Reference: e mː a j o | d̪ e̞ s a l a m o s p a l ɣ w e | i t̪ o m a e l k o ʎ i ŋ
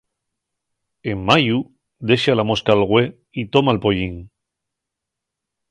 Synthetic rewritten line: e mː a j u | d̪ e̞ ʃ a l a m o s k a l ɣ w e | i t̪ o m a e l p o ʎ i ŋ